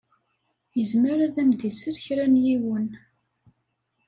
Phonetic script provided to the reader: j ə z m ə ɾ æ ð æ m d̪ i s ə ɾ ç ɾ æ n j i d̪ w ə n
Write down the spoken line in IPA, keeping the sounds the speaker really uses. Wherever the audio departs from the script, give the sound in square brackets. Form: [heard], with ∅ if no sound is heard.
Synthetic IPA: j ə z m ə ɾ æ ð æ m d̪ i s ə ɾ ç ɾ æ n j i [∅] w ə n